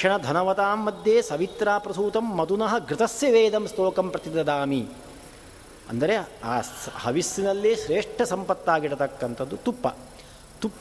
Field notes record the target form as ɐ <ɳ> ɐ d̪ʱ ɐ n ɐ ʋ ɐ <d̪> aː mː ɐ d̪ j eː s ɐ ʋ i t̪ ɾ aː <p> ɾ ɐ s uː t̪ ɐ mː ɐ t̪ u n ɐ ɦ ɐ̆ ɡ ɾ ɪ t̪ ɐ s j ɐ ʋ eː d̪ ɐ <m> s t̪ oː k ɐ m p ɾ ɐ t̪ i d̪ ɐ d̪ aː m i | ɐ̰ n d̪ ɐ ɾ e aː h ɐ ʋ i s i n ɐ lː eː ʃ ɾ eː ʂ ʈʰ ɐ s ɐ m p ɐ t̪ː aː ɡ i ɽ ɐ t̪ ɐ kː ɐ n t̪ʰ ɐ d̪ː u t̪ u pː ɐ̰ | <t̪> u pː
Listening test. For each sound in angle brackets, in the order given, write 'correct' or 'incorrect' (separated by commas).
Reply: correct, incorrect, correct, correct, correct